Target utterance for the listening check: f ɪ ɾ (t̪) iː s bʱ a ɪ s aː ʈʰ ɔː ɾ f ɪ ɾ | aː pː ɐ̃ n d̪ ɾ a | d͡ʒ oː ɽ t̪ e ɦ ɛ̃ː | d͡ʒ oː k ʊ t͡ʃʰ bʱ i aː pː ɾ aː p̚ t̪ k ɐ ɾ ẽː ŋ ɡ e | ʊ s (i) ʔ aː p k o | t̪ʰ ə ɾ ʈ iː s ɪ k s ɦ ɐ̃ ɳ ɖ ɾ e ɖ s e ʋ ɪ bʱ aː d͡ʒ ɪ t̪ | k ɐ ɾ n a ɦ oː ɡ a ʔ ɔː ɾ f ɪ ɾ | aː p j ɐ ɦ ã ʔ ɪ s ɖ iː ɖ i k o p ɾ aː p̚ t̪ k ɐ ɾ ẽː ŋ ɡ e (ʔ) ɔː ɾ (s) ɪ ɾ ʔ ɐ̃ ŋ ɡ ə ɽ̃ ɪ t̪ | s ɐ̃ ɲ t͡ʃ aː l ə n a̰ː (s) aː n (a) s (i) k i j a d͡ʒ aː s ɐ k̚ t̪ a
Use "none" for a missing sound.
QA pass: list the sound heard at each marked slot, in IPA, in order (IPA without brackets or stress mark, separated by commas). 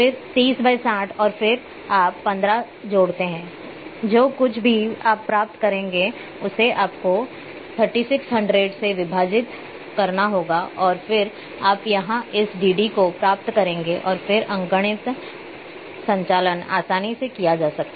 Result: t̪, e, ʔ, f, s, i, e